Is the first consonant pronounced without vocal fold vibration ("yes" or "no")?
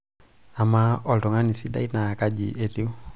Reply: no